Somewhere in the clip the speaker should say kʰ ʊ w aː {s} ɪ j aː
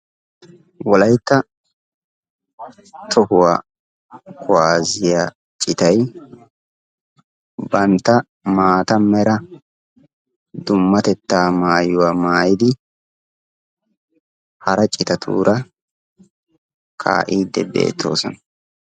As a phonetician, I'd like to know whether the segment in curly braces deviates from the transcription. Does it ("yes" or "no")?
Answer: yes